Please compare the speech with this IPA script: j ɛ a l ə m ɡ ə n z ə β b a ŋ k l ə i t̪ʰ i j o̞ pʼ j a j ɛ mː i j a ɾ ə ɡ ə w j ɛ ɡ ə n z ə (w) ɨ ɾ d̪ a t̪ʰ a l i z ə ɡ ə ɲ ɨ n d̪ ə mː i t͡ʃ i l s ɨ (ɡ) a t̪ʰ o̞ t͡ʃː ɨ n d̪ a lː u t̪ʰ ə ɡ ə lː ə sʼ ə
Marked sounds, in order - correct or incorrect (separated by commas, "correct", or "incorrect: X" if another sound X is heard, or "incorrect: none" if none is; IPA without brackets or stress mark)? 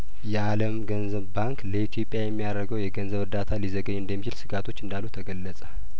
incorrect: β, correct